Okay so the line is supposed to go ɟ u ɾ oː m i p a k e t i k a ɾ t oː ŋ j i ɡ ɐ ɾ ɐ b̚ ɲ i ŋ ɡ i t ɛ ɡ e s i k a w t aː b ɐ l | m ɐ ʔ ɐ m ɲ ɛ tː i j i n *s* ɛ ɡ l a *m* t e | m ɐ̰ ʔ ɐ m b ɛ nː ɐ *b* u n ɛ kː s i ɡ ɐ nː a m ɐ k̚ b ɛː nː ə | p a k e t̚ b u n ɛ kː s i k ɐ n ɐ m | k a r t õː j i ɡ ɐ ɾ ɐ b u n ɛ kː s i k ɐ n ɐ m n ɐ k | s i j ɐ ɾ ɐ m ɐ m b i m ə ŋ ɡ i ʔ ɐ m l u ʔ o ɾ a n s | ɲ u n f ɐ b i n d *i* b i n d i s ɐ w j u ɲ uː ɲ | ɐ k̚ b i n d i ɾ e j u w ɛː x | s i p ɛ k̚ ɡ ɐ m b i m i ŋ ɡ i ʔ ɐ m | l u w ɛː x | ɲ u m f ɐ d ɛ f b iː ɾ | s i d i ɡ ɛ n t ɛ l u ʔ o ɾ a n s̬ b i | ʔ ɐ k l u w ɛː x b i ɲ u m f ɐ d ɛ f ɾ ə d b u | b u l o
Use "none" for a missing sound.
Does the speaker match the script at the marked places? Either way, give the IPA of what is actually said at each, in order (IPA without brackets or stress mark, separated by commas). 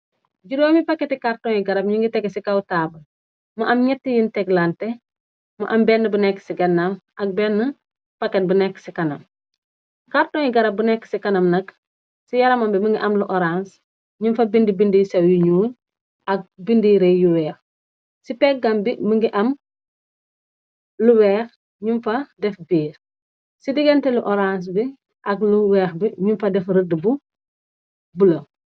t, n, b, i